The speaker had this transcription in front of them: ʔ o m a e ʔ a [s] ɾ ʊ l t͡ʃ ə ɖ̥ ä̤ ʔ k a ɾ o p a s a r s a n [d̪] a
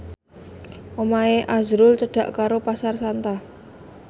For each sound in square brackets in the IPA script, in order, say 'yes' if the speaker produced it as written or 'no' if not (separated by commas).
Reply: no, no